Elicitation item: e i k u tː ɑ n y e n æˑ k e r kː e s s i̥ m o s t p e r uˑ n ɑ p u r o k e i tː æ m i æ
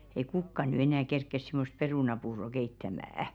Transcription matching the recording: e i k u kː ɑ n y e n æˑ k e r kː e s s i̥ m o s t p e r uˑ n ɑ p uː r o k e i tː æ m æ æ

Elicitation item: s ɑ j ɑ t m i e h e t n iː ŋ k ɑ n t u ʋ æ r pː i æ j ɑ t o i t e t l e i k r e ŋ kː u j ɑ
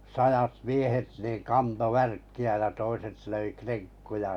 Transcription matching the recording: s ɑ j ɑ t m i e h e t n iː ŋ k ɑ n t o ʋ æ r kː i æ j ɑ t o i s e t l ø i k r e ŋ kː u j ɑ

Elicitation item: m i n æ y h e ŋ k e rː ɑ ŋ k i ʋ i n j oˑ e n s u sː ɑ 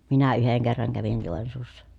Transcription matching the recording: m i n æ y h e ŋ k e rː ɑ ŋ k æ ʋ i n j oˑ e n s uː sː ɑ

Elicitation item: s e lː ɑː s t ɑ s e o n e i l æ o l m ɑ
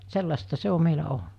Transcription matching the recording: s e lː ɑ s t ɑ s e o m e i l æ o l n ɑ

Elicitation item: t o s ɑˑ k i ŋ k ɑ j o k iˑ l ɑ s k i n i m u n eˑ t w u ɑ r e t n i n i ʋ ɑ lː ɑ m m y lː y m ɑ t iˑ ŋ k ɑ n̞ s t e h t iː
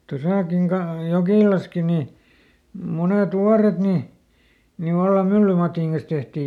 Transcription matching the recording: t o s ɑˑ k i ŋ k ɑ j o k iˑ l ɑ s k i n i m u n eˑ t w u ɑ r e t n i n i ʋ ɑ lː ɑ m m y lː y m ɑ t iˑ ŋ k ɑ n̞ s t e h t iː

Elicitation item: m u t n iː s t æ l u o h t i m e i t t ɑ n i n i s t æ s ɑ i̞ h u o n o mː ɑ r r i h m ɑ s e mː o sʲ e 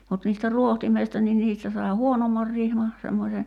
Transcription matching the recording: m u t n iː s t æ r u o h t i m e i s t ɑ n i n iː s t æ s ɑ i̞ h u o n o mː ɑ r r i h m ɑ s e mː o sʲ e

